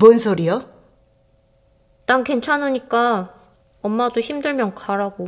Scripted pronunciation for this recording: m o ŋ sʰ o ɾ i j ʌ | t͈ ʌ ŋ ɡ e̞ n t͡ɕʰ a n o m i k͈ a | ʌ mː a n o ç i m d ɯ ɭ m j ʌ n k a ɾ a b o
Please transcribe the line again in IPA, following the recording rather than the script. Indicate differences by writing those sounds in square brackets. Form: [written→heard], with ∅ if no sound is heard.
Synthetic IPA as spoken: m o [ŋ→n] sʰ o ɾ i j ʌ | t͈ [ʌ→a] ŋ [ɡ→k] e̞ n t͡ɕʰ a n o [m→ɲ] i k͈ a | ʌ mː a [n→d] o ç i m d ɯ ɭ m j ʌ n k a ɾ a [b→ɡ] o